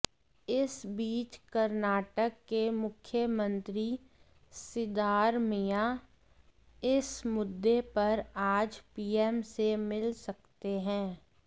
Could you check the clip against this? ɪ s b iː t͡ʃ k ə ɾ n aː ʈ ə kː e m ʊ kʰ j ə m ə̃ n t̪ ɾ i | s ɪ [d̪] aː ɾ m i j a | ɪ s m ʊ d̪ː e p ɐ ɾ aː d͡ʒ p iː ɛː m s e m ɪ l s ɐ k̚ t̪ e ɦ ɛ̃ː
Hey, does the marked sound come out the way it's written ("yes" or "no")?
yes